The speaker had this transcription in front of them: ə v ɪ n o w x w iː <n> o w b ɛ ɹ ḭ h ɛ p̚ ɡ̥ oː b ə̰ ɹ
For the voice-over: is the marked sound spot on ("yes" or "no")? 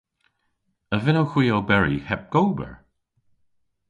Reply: no